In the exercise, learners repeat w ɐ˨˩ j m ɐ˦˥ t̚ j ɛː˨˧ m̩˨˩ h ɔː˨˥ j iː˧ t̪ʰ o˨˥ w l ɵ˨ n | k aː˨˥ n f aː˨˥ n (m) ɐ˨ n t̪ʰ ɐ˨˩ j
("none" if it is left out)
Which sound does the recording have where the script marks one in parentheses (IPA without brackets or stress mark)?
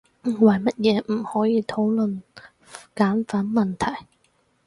m